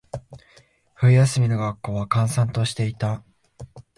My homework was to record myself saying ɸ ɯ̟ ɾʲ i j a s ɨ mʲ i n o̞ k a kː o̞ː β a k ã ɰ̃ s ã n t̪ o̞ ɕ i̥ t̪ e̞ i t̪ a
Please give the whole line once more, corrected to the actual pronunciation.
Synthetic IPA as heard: ɸ ɯ̟ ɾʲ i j a s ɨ mʲ i n o̞ ɡ a kː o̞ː β a k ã ɰ̃ s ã n t̪ o̞ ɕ i̥ t̪ e̞ i t̪ a